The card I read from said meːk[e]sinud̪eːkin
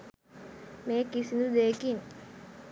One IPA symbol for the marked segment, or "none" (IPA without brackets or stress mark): i